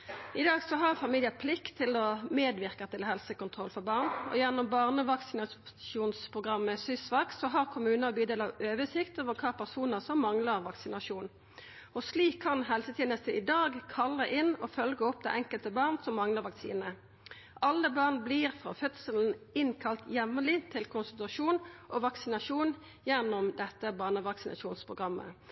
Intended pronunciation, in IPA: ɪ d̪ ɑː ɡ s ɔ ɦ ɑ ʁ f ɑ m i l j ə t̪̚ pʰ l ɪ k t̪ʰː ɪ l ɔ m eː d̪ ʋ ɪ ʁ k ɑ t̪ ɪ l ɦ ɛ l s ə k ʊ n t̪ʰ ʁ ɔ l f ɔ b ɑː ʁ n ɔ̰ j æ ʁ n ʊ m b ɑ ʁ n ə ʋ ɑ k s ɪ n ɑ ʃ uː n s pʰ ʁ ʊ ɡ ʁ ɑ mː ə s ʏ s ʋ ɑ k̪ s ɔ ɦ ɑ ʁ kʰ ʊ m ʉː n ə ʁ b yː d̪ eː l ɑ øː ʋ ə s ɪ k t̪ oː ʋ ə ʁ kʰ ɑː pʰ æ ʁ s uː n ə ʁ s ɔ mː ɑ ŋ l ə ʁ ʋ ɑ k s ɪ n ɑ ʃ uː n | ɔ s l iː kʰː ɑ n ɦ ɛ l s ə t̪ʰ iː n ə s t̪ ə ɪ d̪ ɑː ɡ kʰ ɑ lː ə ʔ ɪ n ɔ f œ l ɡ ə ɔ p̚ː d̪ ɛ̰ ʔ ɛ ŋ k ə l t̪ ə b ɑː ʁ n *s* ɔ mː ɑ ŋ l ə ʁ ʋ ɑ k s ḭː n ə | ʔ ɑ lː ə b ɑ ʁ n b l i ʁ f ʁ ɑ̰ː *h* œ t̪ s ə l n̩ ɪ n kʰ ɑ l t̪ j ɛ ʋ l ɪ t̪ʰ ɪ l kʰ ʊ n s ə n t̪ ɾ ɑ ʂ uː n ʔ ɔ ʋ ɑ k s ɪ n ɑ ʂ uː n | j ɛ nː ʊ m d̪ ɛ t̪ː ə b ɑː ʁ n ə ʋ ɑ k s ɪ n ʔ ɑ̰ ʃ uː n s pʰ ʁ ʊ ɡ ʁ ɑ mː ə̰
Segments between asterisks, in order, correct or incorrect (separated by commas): correct, incorrect